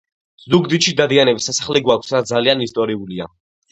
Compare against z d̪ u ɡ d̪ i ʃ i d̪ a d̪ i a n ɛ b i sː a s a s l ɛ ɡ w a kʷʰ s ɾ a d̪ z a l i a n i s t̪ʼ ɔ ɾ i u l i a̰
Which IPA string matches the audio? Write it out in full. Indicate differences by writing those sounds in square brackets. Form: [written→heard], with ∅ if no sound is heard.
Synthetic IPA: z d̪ u ɡ d̪ i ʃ i d̪ a d̪ i a n ɛ b i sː a s a [s→χ] l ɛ ɡ w a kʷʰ s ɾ a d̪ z a l i a n i s t̪ʼ ɔ ɾ i u l i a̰

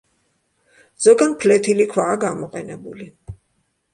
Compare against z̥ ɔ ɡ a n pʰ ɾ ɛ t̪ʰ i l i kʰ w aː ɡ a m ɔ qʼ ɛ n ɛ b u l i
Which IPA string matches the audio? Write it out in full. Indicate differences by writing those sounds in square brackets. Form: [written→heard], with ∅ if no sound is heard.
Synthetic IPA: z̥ ɔ ɡ a n pʰ [ɾ→l] ɛ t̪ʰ i l i kʰ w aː ɡ a m ɔ qʼ ɛ n ɛ b u l i

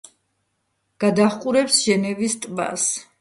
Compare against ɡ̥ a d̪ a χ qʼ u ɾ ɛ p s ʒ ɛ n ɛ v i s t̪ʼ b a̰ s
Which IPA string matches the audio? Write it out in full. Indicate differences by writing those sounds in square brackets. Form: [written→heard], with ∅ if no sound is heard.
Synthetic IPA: ɡ̥ a d̪ a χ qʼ u ɾ ɛ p s ʒ ɛ n ɛ v i s t̪ʼ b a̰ s

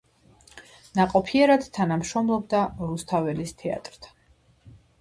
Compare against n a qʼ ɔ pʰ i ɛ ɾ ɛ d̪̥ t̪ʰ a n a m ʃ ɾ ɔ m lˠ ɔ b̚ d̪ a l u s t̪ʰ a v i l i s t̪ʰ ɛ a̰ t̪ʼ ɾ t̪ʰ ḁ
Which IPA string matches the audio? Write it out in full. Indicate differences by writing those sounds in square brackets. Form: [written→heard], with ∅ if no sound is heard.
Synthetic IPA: n a qʼ ɔ pʰ i ɛ ɾ [ɛ→a] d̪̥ t̪ʰ a n a m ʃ ɾ ɔ m lˠ ɔ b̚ d̪ a [l→ɾ] u s t̪ʰ a v [i→ɛ] l i s t̪ʰ ɛ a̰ t̪ʼ ɾ t̪ʰ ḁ

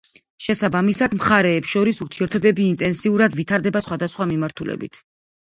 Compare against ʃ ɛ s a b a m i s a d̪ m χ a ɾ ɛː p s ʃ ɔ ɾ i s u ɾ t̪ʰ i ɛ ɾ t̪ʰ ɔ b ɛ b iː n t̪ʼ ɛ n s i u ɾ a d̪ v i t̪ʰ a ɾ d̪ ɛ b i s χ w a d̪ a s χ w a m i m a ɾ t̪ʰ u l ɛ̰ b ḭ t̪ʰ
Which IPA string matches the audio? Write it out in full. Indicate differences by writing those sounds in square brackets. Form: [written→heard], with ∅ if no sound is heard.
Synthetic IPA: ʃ ɛ s a b a m i s a d̪ m χ a ɾ ɛː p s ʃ ɔ ɾ i s u ɾ t̪ʰ i ɛ ɾ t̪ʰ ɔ b ɛ b iː n t̪ʼ ɛ n s i u ɾ a d̪ v i t̪ʰ a ɾ d̪ ɛ b [i→a] s χ w a d̪ a s χ w a m i m a ɾ t̪ʰ u l ɛ̰ b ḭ t̪ʰ

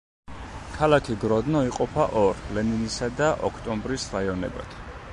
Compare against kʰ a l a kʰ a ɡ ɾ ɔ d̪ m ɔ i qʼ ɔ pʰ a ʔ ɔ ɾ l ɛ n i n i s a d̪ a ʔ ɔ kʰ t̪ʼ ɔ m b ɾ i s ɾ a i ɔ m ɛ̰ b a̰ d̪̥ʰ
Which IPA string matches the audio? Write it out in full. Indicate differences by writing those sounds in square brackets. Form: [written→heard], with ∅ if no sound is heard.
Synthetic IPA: kʰ a l a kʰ [a→i] ɡ ɾ ɔ d̪ [m→n] ɔ i qʼ ɔ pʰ a ʔ ɔ ɾ l ɛ n i n i s a d̪ a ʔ ɔ kʰ t̪ʼ ɔ m b ɾ i s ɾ a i ɔ [m→n] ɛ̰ b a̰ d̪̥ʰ

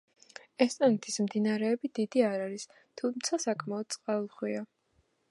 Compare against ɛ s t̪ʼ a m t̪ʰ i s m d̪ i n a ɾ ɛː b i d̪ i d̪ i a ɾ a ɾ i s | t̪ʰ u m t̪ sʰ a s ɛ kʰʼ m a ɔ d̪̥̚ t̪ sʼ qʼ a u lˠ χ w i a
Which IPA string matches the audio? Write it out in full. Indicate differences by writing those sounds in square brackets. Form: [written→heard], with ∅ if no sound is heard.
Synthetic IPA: ɛ s t̪ʼ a [m→n] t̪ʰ i s m d̪ i n a ɾ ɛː b i d̪ i d̪ i a ɾ a ɾ i s | t̪ʰ u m t̪ sʰ a s [ɛ→a] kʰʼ m a ɔ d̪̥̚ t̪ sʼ qʼ a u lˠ χ w i a

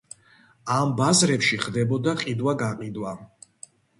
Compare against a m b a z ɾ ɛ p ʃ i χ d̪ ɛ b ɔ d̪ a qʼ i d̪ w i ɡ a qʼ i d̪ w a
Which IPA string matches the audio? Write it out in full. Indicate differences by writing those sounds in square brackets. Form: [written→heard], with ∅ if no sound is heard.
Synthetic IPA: a m b a z ɾ ɛ p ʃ i χ d̪ ɛ b ɔ d̪ a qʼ i d̪ w [i→a] ɡ a qʼ i d̪ w a

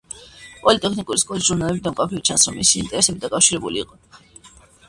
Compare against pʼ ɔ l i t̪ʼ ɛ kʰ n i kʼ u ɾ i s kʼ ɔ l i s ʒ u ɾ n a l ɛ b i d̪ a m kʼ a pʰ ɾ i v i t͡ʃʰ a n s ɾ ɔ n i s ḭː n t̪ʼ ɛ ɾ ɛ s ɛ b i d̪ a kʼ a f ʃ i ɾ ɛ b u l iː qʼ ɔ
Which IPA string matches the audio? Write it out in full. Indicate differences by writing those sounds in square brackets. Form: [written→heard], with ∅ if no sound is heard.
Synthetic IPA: pʼ ɔ l i t̪ʼ ɛ kʰ n i kʼ u ɾ i s kʼ ɔ l i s ʒ u ɾ n a l ɛ b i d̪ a m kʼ a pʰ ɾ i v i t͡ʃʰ a n s ɾ ɔ [n→m] i s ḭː n t̪ʼ ɛ ɾ ɛ s ɛ b i d̪ a kʼ a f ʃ i ɾ ɛ b u l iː qʼ ɔ

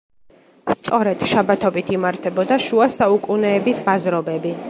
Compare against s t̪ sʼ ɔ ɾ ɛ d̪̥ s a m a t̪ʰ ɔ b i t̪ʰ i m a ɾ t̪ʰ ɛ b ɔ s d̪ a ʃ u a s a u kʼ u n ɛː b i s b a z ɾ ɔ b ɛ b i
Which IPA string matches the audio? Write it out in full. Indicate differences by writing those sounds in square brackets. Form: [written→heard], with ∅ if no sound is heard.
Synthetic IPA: s t̪ sʼ ɔ ɾ ɛ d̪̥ [s→ʃ] a [m→b] a t̪ʰ ɔ b i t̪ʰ i m a ɾ t̪ʰ ɛ b ɔ [s→∅] d̪ a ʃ u a s a u kʼ u n ɛː b i s b a z ɾ ɔ b ɛ b i

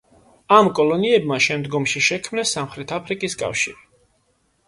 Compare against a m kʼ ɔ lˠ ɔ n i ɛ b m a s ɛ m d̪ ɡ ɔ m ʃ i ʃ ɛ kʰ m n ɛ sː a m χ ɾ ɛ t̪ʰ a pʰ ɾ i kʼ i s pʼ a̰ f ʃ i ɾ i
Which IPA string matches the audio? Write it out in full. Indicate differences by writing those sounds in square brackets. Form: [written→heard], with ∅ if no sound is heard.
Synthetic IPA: a m kʼ ɔ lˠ ɔ n i ɛ b m a [s→ʃ] ɛ m d̪ ɡ ɔ m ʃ i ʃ ɛ kʰ m n ɛ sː a m χ ɾ ɛ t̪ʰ a pʰ ɾ i kʼ i s [pʼ→kʼ] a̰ f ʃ i ɾ i

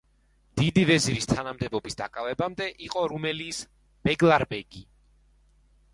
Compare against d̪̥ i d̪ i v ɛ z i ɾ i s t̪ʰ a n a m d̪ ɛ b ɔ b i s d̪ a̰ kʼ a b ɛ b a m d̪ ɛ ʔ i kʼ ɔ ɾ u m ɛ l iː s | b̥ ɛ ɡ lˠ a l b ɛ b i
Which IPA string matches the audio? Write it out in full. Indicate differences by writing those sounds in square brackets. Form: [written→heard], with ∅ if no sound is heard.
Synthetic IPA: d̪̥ i d̪ i v ɛ z i ɾ i s t̪ʰ a n a m d̪ ɛ b ɔ b i s d̪ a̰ kʼ a [b→v] ɛ b a m d̪ ɛ ʔ i [kʼ→qʼ] ɔ ɾ u m ɛ l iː s | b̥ ɛ ɡ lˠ a [l→ɾ] b ɛ [b→ɡ] i

